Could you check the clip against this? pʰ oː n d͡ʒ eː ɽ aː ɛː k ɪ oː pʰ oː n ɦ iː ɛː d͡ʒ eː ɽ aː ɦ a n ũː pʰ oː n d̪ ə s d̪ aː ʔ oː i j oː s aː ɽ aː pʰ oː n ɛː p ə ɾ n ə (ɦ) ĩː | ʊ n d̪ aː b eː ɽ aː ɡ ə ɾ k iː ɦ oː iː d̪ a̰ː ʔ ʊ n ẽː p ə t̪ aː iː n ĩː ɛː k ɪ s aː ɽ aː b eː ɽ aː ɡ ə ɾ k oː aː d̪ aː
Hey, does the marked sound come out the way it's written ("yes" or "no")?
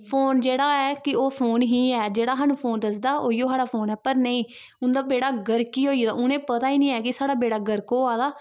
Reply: no